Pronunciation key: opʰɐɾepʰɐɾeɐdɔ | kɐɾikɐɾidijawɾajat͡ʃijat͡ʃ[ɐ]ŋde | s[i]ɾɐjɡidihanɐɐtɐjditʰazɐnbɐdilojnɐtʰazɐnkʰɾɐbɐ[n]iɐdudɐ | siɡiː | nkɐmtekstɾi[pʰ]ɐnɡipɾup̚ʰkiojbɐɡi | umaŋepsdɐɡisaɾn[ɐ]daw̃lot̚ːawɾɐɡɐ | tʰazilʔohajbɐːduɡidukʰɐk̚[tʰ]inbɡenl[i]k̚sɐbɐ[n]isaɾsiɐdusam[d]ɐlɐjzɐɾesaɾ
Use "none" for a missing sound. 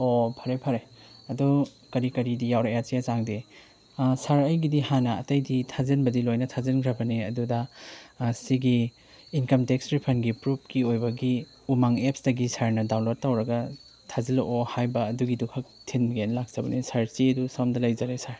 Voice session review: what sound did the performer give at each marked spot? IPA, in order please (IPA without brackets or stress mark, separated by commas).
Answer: a, a, n, pʰ, ɐ, tʰ, a, n, d